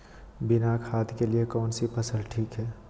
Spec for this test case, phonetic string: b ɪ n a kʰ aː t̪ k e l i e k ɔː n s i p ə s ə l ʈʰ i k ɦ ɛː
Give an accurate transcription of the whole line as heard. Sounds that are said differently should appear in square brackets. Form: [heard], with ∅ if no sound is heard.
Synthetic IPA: b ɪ n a kʰ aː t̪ k e l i e k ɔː n s i p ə s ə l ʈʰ [iː] k ɦ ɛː